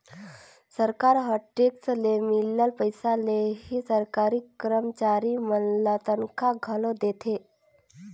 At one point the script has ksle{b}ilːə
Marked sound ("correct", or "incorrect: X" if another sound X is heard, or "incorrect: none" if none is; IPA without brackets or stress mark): incorrect: m